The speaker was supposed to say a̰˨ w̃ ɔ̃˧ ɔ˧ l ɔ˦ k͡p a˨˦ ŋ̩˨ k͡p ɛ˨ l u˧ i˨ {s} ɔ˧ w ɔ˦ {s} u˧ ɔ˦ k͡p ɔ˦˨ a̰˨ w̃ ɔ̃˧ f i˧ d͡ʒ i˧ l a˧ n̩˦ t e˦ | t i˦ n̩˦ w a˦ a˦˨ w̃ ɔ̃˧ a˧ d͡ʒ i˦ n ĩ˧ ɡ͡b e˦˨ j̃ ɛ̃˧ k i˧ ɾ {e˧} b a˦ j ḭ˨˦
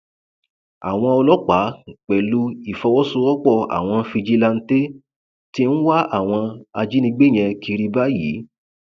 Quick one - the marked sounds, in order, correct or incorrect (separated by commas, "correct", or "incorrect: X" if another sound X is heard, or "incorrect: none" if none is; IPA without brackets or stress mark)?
incorrect: f, correct, incorrect: i˧